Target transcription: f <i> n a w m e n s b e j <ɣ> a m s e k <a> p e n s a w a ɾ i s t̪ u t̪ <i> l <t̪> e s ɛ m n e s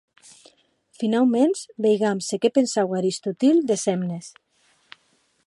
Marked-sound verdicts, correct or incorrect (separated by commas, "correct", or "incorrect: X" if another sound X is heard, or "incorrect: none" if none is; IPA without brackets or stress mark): correct, correct, incorrect: e, correct, incorrect: d̪